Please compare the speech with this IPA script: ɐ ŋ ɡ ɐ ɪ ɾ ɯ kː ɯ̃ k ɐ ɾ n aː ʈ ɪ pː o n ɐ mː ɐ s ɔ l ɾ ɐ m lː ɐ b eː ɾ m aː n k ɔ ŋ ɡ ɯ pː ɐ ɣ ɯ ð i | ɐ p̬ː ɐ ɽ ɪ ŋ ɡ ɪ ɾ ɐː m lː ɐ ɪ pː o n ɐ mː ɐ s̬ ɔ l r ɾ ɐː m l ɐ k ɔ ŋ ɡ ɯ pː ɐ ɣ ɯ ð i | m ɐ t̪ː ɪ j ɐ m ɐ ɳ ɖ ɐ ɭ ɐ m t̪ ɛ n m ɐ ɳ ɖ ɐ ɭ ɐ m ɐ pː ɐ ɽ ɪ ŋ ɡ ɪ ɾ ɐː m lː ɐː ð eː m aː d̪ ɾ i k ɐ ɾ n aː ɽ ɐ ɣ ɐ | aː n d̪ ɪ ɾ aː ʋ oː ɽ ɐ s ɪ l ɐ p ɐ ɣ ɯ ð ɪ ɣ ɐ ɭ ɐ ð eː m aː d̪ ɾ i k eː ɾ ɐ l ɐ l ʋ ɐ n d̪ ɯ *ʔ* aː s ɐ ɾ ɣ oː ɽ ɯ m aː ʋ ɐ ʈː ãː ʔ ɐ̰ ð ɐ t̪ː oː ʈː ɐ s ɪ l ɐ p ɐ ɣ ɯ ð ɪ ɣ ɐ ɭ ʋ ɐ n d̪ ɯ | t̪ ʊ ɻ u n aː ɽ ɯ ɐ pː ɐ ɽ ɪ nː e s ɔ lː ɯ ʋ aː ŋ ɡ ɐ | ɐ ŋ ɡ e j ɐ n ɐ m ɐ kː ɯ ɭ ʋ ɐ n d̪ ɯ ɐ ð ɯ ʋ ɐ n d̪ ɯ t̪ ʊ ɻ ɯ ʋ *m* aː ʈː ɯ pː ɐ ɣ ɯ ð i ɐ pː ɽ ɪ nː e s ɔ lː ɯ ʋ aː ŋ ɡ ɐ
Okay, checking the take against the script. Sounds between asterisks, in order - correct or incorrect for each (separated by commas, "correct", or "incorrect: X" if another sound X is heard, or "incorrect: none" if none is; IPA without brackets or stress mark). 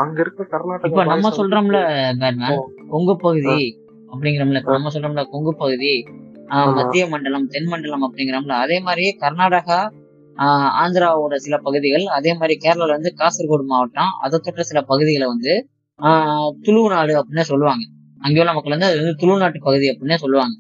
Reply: incorrect: k, incorrect: n